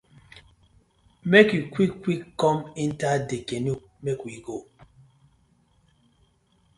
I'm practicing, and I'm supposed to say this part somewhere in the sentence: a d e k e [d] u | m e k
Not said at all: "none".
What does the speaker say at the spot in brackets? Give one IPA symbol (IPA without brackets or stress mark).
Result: n